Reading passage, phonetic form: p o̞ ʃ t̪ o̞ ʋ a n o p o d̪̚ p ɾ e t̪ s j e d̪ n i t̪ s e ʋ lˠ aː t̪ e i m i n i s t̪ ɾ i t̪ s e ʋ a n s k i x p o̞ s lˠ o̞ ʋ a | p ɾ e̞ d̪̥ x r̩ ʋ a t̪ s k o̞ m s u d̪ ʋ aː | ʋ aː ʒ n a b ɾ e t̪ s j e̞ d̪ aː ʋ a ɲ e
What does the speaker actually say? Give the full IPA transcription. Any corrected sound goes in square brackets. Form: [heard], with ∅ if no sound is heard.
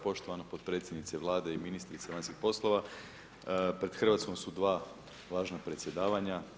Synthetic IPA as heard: p o̞ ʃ t̪ o̞ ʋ a n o p o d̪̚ p ɾ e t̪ s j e d̪ n i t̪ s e ʋ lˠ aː [d̪] e i m i n i s t̪ ɾ i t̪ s e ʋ a n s k i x p o̞ s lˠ o̞ ʋ a | p ɾ e̞ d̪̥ x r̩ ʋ a t̪ s k o̞ m s u d̪ ʋ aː | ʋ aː ʒ n a [p] ɾ e t̪ s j e̞ d̪ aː ʋ a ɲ [a]